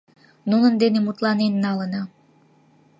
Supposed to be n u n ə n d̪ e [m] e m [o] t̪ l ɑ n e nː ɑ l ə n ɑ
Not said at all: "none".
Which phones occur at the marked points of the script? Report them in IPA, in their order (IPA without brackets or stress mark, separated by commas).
n, u